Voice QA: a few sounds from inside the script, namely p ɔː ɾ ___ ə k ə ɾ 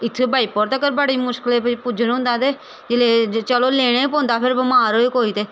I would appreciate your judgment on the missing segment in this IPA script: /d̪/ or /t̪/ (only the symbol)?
t̪